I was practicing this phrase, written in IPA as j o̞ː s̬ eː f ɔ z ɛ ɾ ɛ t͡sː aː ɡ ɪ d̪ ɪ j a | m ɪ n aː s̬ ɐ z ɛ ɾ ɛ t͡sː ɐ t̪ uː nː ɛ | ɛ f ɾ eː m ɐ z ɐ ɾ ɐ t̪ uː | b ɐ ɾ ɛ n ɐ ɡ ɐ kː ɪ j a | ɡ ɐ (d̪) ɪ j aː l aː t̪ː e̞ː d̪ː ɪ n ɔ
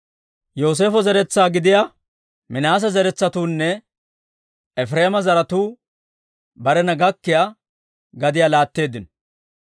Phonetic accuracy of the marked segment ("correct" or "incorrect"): correct